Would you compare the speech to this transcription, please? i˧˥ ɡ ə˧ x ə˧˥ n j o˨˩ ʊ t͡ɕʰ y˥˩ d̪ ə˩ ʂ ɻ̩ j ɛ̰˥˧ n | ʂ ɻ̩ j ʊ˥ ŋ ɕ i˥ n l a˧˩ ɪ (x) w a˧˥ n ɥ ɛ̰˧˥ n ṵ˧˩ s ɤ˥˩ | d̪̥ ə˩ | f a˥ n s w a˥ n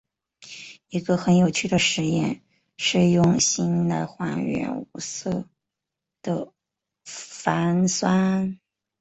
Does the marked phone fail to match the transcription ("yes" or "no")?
no